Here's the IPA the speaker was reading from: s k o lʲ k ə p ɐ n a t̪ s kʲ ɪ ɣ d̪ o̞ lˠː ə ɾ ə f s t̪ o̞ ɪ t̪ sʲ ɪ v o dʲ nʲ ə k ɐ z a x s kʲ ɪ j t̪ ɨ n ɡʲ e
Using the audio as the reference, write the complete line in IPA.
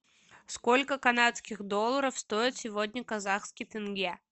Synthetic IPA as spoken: s k o lʲ k ə k ɐ n a t̪ s kʲ ɪ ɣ d̪ o̞ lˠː ə ɾ ə f s t̪ o̞ ɪ t̪ sʲ ɪ v o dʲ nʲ ə k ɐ z a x s kʲ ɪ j t̪ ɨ n ɡʲ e